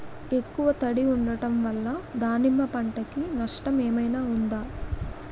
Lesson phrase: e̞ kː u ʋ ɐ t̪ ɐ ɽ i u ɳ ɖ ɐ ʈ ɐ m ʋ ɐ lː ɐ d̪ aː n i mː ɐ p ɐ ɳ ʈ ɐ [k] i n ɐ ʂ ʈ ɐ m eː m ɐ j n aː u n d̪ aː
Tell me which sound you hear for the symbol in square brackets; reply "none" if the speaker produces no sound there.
k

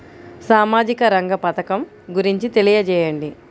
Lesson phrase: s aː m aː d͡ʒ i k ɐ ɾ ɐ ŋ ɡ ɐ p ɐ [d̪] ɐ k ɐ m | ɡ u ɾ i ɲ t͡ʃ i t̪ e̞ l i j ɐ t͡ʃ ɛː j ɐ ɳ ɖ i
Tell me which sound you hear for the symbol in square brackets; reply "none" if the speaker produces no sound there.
t̪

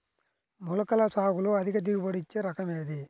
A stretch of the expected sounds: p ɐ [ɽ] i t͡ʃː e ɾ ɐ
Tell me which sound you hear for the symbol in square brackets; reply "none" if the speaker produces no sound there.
ɽ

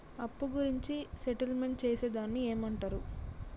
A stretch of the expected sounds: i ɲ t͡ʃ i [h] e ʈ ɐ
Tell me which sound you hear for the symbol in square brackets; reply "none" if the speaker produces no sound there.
s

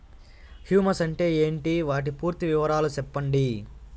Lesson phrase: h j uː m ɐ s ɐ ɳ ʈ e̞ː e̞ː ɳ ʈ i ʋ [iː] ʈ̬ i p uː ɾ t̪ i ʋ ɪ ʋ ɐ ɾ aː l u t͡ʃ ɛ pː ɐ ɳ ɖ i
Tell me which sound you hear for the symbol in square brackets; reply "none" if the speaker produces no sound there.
aː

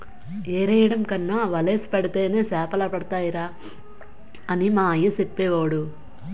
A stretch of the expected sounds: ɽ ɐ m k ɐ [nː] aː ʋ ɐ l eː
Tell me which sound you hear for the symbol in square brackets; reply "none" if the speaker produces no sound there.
nː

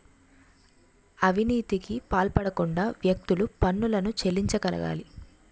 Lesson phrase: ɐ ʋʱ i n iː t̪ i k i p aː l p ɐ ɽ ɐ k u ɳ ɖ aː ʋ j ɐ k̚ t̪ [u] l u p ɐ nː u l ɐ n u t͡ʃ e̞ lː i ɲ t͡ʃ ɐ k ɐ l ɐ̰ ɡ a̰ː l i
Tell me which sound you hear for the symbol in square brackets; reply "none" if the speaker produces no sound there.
u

